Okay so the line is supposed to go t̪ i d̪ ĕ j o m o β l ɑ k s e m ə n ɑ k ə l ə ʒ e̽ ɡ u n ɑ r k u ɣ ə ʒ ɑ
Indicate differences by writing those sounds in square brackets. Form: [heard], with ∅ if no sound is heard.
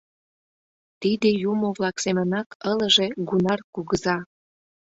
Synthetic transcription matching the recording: t̪ i d̪ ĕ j [u] m o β l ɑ k s e m ə n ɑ k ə l ə ʒ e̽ ɡ u n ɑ r k u ɣ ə [z] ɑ

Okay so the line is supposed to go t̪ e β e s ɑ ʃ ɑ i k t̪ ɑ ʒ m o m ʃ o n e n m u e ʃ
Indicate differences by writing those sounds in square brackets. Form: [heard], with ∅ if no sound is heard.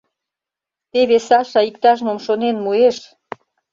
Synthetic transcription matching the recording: t̪ e β e s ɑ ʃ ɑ i k t̪ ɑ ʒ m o m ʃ o n e n m u e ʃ

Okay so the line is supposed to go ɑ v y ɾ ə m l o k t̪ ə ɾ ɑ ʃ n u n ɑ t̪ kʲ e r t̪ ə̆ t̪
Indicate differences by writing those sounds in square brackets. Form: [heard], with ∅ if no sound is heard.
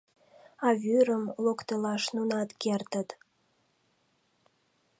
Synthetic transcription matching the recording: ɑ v y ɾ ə m l o k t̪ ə [l] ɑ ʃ n u n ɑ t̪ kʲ e r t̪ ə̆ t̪

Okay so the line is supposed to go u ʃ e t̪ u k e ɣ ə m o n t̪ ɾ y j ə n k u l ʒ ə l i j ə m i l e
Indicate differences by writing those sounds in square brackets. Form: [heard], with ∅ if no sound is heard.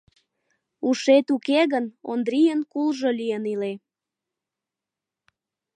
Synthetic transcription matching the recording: u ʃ e t̪ u k e ɣ ə [n] o n [d̪] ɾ [i] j ə n k u l ʒ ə l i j ə [n] i l e

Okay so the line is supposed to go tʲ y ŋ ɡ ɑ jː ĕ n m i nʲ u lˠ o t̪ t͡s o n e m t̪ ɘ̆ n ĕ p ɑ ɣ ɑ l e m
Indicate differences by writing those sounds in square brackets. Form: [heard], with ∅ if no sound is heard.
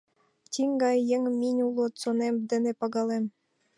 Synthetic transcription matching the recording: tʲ [i] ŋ ɡ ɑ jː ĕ [ŋ] m i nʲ u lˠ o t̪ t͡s o n e m [d̪] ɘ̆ n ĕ p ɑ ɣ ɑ l e m

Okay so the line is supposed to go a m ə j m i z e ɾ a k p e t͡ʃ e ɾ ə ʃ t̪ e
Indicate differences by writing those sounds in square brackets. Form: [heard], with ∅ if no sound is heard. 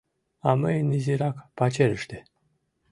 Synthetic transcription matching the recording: a m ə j [n] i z [i] ɾ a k p [a] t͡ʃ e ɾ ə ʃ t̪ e

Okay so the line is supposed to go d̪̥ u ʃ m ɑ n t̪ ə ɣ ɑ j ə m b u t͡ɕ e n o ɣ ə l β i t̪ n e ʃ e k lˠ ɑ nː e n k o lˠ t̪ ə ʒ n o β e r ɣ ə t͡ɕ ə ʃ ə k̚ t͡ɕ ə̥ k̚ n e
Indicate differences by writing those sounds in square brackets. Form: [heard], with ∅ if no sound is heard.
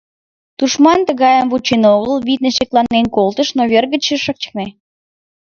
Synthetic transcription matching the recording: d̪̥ u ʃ m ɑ n t̪ ə ɣ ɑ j ə m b u t͡ɕ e n o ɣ ə l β i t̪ n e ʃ e k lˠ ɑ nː e n k o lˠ t̪ ə [ʃ] n o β e r ɣ ə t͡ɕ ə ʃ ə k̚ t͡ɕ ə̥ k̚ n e

